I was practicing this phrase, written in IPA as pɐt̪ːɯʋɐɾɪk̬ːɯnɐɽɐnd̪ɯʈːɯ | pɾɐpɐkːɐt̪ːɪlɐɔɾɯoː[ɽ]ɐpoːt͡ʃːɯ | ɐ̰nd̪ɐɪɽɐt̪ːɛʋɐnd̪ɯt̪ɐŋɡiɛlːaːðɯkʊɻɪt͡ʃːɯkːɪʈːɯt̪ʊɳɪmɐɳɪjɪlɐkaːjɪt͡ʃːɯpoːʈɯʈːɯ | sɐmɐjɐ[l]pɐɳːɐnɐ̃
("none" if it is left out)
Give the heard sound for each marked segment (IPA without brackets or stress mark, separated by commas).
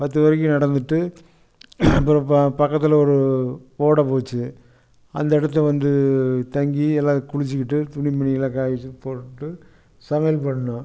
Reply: ɽ, l